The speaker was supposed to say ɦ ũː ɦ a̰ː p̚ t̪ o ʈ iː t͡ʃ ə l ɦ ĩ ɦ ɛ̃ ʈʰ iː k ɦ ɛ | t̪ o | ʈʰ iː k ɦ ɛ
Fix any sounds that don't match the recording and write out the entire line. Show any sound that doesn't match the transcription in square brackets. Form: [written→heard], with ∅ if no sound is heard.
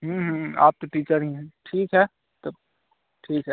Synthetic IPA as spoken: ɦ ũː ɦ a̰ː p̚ t̪ o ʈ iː t͡ʃ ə [l→ɾ] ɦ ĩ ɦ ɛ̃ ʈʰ iː k ɦ ɛ | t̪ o | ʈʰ iː k ɦ ɛ

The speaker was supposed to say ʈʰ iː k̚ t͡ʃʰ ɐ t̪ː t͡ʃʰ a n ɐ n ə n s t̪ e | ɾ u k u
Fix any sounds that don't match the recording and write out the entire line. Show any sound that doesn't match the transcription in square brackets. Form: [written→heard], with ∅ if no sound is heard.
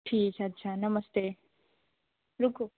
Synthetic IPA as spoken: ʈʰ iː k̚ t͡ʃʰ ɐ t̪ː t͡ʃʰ a n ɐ [n→m] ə [n→∅] s t̪ e | ɾ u k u

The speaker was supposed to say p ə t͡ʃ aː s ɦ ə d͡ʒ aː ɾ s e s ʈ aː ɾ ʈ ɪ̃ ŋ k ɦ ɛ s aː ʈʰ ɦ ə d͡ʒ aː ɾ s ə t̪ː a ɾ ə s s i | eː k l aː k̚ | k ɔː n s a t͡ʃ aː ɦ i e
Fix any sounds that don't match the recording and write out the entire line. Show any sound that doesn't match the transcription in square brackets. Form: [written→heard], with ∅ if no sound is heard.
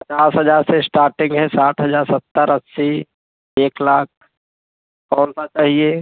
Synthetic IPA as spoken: p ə t͡ʃ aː s ɦ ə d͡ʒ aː ɾ s e s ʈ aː ɾ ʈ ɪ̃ ŋ [k→ɡ] ɦ ɛ s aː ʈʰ ɦ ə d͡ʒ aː ɾ s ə t̪ː [a→ə] ɾ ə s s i | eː k l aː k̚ | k ɔː n s a t͡ʃ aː ɦ i e

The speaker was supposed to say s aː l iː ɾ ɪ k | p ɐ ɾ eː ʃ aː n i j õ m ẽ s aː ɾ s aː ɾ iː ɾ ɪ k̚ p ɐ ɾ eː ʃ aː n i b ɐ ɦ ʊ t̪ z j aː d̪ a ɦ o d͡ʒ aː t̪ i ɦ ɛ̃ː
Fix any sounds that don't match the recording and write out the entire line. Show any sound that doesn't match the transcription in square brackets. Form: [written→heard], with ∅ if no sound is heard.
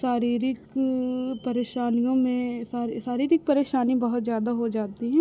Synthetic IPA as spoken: s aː [l→ɾ] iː ɾ ɪ k | p ɐ ɾ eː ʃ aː n i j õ m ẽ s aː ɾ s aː ɾ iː ɾ ɪ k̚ p ɐ ɾ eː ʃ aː n i b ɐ ɦ ʊ t̪ z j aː d̪ a ɦ o d͡ʒ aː t̪ i ɦ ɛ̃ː

